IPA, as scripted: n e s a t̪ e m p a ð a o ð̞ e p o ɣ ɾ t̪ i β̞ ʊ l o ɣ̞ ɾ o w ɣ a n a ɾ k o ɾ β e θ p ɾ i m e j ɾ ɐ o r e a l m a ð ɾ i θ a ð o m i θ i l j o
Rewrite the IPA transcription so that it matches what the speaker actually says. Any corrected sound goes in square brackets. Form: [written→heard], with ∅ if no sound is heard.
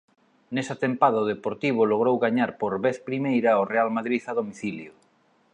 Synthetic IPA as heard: n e s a t̪ e m p a ð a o ð̞ e p o [ɣ→∅] ɾ t̪ i β̞ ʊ l o ɣ̞ ɾ o w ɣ a [n→ɲ] a ɾ [k→p] o ɾ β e θ p ɾ i m e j ɾ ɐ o r e a l m a ð ɾ i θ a ð o m i θ i l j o